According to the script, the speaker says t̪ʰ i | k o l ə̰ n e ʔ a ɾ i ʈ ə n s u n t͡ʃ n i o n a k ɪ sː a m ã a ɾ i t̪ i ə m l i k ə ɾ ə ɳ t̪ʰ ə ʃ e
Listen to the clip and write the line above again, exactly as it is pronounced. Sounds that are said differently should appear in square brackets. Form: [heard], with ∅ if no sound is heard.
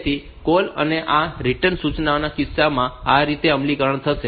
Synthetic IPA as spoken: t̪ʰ i | k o l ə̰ n e ʔ a ɾ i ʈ ə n s u [∅] t͡ʃ n [a] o n a k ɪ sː a m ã a ɾ i t̪ [e] ə m l i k ə ɾ ə ɳ t̪ʰ ə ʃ e

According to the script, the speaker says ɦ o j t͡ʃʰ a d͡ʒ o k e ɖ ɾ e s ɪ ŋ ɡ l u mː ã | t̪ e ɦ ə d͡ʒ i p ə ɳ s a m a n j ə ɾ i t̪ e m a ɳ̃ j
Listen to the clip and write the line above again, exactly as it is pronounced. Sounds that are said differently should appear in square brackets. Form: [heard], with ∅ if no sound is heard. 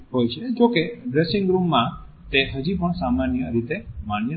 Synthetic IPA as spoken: ɦ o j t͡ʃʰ [e] d͡ʒ o k e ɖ ɾ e s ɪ ŋ ɡ [ɾ] u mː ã | t̪ e ɦ ə d͡ʒ i p ə ɳ s a m a n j ə ɾ i t̪ e m a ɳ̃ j

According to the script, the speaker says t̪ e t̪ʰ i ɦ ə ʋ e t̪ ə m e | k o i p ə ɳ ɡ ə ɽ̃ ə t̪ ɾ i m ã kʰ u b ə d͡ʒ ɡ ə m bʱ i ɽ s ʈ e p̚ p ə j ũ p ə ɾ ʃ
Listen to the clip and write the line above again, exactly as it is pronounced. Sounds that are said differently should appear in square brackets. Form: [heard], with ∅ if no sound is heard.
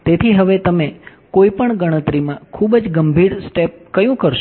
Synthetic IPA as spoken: t̪ e t̪ʰ i ɦ ə ʋ e t̪ ə m e | k o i p ə ɳ ɡ ə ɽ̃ ə t̪ ɾ i m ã kʰ u b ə d͡ʒ ɡ ə m bʱ i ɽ s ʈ e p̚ [k] ə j ũ [k] ə ɾ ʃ

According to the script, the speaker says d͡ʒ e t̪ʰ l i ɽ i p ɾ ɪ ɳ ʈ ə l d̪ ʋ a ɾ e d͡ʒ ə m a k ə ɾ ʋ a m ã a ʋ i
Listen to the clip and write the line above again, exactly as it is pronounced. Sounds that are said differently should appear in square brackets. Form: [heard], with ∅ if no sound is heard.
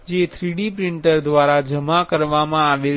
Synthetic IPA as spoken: d͡ʒ e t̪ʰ [ɾ] i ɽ i p ɾ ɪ ɳ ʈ ə [ɾ] d̪ ʋ a ɾ [a] d͡ʒ ə m a k ə ɾ ʋ a m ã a ʋ [e]

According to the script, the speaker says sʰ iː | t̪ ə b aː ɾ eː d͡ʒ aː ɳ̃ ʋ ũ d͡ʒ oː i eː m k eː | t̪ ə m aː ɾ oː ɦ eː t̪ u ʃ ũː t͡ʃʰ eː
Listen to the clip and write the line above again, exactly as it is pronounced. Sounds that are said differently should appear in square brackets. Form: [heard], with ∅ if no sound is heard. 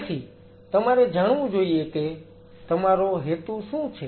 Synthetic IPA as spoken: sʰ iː | t̪ ə [m] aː ɾ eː d͡ʒ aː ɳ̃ ʋ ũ d͡ʒ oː i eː [∅] k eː | t̪ ə m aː ɾ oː ɦ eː t̪ u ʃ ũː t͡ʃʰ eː

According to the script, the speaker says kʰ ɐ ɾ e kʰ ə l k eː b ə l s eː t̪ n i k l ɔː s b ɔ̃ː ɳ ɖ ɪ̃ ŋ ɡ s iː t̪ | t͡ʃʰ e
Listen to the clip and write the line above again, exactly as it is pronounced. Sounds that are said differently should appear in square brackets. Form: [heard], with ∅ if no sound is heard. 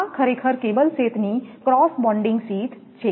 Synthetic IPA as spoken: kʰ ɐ ɾ e kʰ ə [ɾ] k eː b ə l s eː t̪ n i k [ɾ] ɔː s b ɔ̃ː ɳ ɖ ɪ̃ ŋ ɡ s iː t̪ | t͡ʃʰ e

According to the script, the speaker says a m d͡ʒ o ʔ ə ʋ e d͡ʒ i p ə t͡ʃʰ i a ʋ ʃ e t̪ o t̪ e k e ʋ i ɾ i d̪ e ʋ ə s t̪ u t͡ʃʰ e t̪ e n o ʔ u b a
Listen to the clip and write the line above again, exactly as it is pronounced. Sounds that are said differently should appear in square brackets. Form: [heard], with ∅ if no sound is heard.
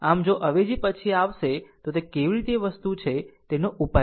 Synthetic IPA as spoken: a m d͡ʒ o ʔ ə ʋ e d͡ʒ i p ə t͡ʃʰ i a ʋ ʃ e t̪ o t̪ e k e ʋ i ɾ i [t̪] e ʋ ə s t̪ u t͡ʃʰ e t̪ e n o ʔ u [p] a

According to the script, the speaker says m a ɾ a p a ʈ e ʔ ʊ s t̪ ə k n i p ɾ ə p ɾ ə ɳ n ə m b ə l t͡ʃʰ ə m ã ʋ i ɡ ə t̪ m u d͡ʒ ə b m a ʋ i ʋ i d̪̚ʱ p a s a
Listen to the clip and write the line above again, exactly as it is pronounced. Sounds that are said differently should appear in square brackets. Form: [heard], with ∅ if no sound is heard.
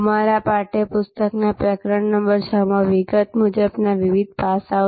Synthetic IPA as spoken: m a ɾ a p a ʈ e [p] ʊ s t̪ ə k n [a] p ɾ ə [k] ɾ ə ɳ n ə m b ə [ɾ] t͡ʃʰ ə m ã ʋ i ɡ ə t̪ m u d͡ʒ ə b [n] a ʋ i ʋ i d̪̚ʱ p a s a

